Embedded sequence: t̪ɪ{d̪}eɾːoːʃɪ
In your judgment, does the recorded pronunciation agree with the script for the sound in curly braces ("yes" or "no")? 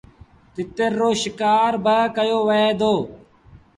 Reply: no